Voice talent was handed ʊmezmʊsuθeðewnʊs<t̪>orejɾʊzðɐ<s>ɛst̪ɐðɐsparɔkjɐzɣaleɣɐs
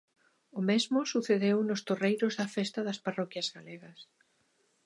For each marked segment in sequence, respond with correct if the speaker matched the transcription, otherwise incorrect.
correct, incorrect

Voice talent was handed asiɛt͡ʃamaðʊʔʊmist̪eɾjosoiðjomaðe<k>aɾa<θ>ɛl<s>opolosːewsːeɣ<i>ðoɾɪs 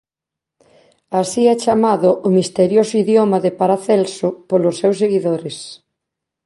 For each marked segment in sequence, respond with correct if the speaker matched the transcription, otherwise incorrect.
incorrect, correct, correct, correct

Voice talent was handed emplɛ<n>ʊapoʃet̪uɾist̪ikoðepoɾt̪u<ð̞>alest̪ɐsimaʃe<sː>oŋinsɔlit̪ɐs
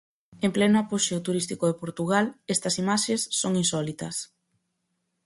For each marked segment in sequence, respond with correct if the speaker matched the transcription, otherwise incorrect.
correct, incorrect, correct

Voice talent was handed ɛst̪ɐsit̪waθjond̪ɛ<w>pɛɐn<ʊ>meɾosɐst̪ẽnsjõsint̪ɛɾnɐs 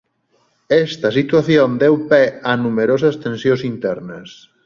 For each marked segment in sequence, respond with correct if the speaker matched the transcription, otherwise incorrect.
correct, incorrect

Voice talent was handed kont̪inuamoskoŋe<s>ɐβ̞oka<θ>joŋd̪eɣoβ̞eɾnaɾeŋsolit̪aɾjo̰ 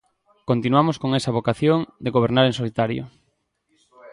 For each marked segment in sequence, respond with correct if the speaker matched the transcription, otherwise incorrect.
correct, correct

